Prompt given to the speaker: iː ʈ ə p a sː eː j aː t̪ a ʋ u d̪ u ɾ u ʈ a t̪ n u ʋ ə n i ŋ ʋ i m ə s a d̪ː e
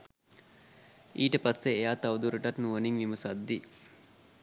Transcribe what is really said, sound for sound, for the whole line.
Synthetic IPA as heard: iː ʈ ə p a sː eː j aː t̪ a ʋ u d̪ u ɾ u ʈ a t̪ n u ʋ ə n i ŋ ʋ i m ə s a d̪ː i

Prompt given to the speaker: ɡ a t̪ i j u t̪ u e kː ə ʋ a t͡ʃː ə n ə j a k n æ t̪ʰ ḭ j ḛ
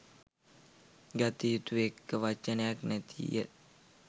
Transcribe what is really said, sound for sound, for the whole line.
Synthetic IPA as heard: ɡ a t̪ i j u t̪ u e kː ə ʋ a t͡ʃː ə n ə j a k n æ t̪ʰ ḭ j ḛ

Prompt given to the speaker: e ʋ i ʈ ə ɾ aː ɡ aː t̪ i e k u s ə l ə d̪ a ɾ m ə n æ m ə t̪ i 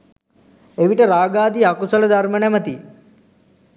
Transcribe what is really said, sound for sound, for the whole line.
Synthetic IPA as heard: e ʋ i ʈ ə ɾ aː ɡ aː d̪ i a k u s ə l ə d̪ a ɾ m ə n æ m ə t̪ i

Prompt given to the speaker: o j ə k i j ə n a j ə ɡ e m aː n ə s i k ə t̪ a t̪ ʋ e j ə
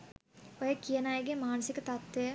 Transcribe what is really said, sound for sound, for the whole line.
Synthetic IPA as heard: o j ə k i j ə n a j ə ɡ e m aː n ə s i k ə t̪ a t̪ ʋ e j ə

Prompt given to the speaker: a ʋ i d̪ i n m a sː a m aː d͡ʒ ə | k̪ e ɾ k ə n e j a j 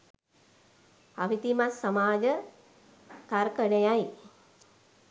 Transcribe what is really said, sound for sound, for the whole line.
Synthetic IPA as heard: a ʋ i t̪ i m a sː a m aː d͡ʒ ə | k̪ a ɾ k ə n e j a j

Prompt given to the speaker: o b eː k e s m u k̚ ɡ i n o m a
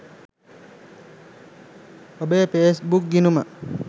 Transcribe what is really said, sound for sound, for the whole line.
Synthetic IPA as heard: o b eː p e s b u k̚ ɡ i n u m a

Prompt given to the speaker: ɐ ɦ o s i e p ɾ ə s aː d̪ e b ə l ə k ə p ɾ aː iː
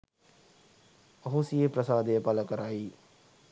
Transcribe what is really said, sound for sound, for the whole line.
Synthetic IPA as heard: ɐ ɦ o s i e p ɾ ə s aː d̪ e p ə l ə k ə ɾ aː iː

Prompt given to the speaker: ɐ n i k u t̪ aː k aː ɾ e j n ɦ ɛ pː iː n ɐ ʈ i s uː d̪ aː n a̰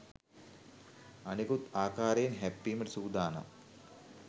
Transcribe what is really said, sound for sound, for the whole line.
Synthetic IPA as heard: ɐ n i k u t̪ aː k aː ɾ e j n ɦ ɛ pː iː m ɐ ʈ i s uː d̪ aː n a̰

